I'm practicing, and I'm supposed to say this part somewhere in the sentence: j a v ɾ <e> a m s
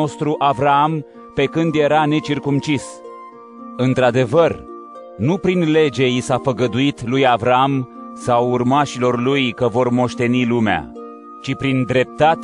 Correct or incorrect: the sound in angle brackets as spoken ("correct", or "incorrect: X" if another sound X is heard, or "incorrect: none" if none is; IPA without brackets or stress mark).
incorrect: a